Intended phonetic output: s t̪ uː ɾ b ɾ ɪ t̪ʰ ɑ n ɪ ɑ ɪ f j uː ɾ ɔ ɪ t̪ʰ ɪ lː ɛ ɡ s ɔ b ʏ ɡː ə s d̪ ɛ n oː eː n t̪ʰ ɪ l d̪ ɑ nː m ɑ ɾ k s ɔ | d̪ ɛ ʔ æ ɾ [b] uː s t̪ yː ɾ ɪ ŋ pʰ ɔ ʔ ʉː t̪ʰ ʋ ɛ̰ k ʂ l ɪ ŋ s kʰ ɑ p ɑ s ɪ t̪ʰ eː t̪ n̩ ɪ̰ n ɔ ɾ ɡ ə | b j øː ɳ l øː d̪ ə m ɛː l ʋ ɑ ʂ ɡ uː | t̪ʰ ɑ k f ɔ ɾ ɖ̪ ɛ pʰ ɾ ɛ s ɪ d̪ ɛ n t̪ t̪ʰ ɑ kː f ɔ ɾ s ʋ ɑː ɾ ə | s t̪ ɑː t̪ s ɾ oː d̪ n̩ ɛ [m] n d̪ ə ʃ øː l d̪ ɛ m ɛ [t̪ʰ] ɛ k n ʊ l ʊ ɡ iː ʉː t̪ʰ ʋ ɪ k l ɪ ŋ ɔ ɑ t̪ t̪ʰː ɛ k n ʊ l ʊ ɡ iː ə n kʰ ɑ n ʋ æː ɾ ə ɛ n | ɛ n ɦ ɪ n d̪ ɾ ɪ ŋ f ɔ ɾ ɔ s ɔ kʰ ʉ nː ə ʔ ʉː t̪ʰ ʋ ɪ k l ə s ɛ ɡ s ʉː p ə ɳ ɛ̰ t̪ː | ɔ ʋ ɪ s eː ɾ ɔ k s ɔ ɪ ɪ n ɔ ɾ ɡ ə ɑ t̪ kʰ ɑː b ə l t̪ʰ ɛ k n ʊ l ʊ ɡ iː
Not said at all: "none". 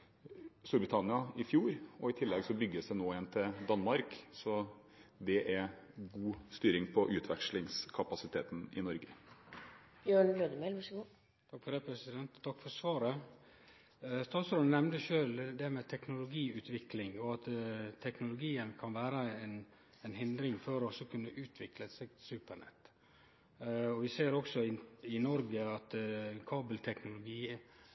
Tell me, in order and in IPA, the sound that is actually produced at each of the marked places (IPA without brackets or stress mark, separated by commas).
ɡ, m, t̪ʰ